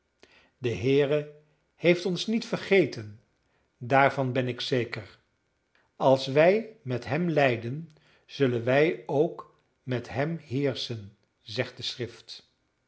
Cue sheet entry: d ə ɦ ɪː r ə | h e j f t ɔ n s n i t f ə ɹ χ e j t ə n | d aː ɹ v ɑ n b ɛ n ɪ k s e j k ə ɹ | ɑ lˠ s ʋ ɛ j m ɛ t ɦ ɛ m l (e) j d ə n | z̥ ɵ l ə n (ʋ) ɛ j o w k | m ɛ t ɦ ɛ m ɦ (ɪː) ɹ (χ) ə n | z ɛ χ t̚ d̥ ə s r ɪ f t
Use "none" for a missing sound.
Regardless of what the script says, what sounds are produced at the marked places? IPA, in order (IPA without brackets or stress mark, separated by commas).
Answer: ɛ, ʋ, ɪː, s